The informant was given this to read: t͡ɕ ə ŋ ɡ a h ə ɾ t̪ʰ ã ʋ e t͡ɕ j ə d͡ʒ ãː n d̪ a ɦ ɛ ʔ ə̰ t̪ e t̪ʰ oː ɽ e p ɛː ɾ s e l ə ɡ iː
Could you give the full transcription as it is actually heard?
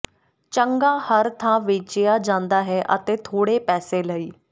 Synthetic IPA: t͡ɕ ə ŋ ɡ a h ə ɾ t̪ʰ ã ʋ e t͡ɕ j a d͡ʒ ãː n d̪ a ɦ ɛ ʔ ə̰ t̪ e t̪ʰ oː ɽ e p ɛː s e l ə iː